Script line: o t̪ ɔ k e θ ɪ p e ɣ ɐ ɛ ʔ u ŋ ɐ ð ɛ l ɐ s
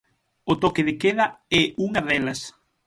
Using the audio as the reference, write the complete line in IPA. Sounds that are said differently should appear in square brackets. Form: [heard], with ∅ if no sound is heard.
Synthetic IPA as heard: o t̪ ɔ k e [ð] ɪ [k] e [ð] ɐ ɛ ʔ u ŋ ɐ ð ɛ l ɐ s

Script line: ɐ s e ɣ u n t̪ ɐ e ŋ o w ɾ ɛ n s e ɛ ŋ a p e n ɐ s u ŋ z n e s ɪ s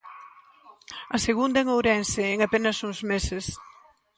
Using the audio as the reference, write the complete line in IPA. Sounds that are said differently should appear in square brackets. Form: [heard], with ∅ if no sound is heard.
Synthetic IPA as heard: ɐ s e ɣ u n [d̪] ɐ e ŋ o w ɾ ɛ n s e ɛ ŋ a p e n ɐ s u ŋ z [m] e s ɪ s

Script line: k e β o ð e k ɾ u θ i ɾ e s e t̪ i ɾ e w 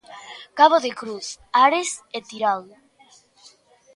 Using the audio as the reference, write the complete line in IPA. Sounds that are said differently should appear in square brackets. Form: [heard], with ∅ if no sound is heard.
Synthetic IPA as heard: k [a] β o ð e k ɾ u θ [a] ɾ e s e t̪ i ɾ [a] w

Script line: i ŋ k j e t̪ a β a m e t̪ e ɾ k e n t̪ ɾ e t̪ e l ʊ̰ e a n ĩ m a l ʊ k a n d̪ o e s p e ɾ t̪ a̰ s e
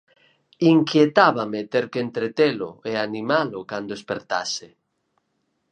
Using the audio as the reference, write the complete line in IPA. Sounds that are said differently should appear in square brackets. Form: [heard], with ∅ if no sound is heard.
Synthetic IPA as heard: i ŋ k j e t̪ a β a m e t̪ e ɾ k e n t̪ ɾ e t̪ e l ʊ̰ e a n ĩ m a l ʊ k a n d̪ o e s p e ɾ t̪ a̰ s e

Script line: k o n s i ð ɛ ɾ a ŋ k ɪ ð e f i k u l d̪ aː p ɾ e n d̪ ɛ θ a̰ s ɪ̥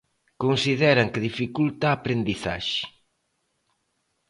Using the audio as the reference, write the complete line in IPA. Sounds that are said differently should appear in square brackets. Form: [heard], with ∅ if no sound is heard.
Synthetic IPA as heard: k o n s i ð ɛ ɾ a ŋ k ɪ ð [i] f i k u l [t̪] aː p ɾ e n d̪ [i] θ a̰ [ʃ] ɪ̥

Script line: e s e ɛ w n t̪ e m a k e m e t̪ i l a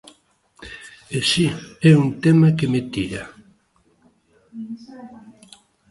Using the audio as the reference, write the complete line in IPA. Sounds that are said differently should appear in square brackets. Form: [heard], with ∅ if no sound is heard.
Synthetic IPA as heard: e s [i] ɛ [u] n t̪ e m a k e m e t̪ i [ɾ] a

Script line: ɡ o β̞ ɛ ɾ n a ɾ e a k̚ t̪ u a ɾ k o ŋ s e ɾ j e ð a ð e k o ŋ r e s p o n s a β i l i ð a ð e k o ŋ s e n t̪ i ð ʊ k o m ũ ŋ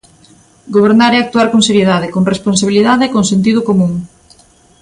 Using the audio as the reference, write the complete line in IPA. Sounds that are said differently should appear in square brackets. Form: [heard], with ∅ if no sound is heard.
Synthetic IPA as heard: ɡ o β̞ [e] ɾ n a ɾ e a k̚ t̪ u a ɾ k o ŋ s e ɾ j e ð a ð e k o ŋ r e s p o n s a β i l i ð a ð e k o ŋ s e n t̪ i ð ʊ k o m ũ ŋ

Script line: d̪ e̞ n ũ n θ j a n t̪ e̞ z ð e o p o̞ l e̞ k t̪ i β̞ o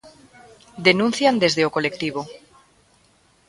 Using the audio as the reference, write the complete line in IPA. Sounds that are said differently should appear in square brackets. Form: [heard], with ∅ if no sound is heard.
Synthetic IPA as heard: d̪ e̞ n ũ n θ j a n [d̪] e̞ z ð e o [k] o̞ l e̞ k t̪ i β̞ o

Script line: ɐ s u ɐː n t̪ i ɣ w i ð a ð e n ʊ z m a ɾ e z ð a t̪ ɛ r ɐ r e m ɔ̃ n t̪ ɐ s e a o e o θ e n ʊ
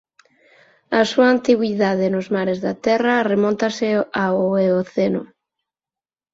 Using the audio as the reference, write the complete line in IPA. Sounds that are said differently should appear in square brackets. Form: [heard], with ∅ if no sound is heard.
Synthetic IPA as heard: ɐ s u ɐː n t̪ i ɣ w i ð a ð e n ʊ z m a ɾ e z ð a t̪ ɛ r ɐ r e m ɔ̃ n t̪ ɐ s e a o e o θ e n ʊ

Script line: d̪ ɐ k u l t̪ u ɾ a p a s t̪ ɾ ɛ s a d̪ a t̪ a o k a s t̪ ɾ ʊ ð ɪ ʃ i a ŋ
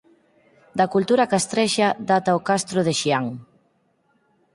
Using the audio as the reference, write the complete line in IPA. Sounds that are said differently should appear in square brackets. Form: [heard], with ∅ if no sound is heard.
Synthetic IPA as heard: d̪ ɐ k u l t̪ u ɾ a [k] a s t̪ ɾ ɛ [ʃ] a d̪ a t̪ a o k a s t̪ ɾ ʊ ð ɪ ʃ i a ŋ

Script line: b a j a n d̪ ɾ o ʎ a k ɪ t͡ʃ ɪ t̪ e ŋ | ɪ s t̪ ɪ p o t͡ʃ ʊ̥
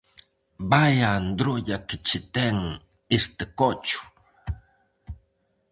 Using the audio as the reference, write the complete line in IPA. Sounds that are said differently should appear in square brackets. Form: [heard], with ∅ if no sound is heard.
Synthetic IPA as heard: b a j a n d̪ ɾ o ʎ a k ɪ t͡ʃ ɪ t̪ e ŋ | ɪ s t̪ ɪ [k] o t͡ʃ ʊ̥

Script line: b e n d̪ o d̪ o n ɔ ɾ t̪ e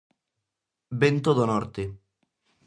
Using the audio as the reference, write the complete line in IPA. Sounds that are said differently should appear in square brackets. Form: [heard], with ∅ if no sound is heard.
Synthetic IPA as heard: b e n [t̪] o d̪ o n ɔ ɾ t̪ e

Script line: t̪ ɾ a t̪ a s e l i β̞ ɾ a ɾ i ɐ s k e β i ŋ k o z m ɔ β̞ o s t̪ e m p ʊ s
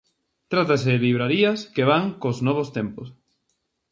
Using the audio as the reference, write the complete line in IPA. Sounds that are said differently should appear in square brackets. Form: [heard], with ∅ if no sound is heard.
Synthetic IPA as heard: t̪ ɾ a t̪ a s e l i β̞ ɾ a ɾ i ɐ s k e β [a] ŋ k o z [n] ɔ β̞ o s t̪ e m p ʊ s

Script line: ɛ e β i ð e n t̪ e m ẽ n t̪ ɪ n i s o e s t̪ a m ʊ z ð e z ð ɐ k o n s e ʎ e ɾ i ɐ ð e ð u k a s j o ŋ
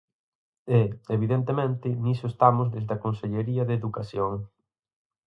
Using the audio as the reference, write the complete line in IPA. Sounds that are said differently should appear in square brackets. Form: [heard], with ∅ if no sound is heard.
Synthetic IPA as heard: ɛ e β i ð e n t̪ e m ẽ n t̪ ɪ n i s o e s t̪ a m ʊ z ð e z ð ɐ k o n s e ʎ e ɾ i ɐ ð e ð u k a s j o ŋ

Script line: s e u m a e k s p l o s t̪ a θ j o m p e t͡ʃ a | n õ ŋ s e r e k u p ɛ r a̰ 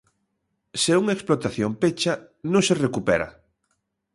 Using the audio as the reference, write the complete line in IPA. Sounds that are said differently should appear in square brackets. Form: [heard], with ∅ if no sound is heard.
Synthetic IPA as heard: s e u [ŋ] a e k s p l o [∅] t̪ a θ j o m p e t͡ʃ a | n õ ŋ s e r e k u p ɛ [ɾ] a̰

